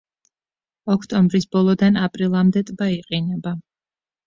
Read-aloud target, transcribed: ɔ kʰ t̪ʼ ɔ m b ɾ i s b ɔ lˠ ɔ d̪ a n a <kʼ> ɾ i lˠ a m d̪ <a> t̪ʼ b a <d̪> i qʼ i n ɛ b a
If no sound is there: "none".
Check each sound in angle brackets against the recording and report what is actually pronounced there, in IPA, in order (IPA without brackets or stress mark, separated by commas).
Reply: pʼ, ɛ, none